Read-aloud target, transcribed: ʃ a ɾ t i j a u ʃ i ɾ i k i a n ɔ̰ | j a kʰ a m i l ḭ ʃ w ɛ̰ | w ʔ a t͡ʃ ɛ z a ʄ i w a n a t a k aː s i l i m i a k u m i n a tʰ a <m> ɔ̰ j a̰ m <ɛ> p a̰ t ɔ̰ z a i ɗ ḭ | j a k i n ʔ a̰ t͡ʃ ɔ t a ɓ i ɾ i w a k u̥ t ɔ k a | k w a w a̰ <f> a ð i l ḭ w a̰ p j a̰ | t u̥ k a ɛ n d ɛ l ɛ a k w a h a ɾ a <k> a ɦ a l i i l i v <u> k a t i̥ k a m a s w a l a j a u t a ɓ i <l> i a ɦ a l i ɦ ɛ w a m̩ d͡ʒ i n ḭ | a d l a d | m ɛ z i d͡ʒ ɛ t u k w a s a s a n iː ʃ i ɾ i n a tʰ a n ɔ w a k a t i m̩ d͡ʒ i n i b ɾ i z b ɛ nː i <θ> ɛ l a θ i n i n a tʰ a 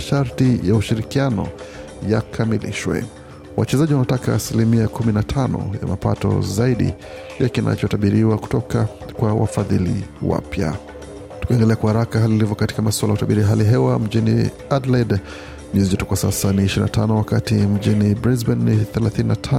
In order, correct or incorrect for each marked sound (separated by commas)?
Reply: incorrect, incorrect, correct, correct, incorrect, incorrect, correct